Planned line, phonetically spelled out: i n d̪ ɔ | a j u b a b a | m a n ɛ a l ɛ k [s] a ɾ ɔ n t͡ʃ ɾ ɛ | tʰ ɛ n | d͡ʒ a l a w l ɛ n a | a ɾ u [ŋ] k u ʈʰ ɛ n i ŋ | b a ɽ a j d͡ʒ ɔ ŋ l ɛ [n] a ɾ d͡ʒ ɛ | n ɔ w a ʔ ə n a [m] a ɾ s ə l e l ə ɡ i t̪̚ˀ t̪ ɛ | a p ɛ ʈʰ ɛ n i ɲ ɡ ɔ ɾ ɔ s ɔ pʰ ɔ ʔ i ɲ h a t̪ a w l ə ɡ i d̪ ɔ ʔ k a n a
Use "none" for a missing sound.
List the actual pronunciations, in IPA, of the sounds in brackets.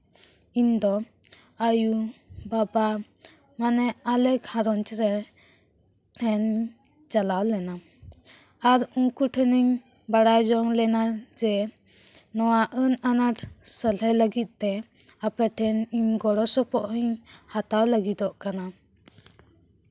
h, ŋ, n, n

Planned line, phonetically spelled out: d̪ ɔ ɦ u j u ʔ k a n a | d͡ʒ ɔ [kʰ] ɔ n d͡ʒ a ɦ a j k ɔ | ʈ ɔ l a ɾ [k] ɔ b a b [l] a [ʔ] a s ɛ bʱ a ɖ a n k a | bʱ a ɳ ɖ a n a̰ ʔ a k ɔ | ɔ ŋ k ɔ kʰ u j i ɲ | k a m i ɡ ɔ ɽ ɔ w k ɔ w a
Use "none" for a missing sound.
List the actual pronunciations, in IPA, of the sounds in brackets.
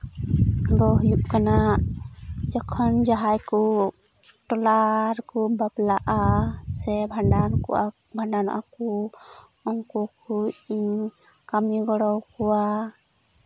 kʰ, k, l, ʔ

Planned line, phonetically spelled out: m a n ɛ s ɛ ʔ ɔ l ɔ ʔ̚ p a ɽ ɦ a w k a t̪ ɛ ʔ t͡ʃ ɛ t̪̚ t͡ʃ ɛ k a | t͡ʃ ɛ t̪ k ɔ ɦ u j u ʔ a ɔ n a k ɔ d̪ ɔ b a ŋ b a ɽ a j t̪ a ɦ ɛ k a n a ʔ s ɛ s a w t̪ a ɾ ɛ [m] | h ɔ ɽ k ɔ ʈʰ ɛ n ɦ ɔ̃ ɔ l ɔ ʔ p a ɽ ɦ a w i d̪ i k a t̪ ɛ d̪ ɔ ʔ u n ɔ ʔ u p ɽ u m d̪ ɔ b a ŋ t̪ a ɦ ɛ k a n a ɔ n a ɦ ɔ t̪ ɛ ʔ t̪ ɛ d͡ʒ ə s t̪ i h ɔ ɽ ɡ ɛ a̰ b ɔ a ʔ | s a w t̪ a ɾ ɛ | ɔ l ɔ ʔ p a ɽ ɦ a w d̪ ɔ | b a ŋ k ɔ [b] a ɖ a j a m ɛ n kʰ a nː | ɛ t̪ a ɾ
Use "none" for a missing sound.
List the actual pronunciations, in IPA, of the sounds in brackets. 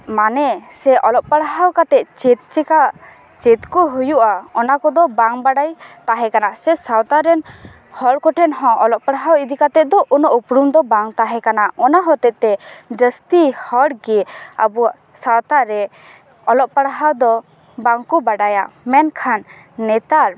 n, b

